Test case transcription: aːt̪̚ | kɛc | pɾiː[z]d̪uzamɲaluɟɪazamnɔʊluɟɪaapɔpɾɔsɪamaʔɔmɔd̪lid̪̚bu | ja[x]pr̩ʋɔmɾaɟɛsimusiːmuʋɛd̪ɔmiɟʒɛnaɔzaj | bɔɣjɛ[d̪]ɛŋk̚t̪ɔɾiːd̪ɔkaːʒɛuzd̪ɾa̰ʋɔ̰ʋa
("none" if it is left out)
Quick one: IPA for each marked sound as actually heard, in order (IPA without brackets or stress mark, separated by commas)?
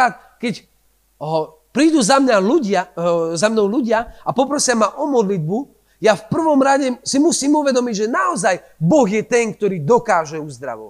none, f, t̪